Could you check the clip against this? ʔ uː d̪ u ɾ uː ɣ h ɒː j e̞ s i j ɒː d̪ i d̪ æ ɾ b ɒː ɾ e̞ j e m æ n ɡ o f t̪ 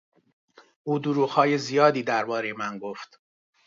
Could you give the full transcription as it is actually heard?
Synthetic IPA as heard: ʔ uː d̪ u ɾ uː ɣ h ɒː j e̞ z i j ɒː d̪ iː d̪ æ ɾ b ɒː ɾ e̞ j e m æ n ɡ o f t̪